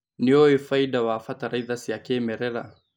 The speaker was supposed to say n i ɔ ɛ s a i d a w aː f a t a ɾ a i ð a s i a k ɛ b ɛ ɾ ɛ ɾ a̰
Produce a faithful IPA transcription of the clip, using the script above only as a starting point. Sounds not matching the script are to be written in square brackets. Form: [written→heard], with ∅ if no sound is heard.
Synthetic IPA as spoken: n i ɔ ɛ [s→f] a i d a w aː f a t a ɾ a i ð a s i a k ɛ [b→m] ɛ ɾ ɛ ɾ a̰